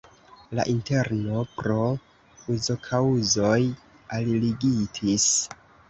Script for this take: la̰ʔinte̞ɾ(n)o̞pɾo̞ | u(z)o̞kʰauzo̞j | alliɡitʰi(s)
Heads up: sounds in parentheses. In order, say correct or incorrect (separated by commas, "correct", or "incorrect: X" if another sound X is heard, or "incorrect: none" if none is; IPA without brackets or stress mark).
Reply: correct, correct, correct